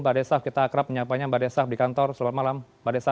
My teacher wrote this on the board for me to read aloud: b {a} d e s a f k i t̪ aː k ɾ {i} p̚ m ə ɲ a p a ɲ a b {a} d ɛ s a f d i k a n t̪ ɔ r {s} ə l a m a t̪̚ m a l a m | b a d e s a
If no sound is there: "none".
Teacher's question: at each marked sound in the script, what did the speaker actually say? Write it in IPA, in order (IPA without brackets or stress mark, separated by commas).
a, a, a, s